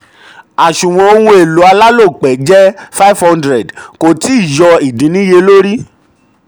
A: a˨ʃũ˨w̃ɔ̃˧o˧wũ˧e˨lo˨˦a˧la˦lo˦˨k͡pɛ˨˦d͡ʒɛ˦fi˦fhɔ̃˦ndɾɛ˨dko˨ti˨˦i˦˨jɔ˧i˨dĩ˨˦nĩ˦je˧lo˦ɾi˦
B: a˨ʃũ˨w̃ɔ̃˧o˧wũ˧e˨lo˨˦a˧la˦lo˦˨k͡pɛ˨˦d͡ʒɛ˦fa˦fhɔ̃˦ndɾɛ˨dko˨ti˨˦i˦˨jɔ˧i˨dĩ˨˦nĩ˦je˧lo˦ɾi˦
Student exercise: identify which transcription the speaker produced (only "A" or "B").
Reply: B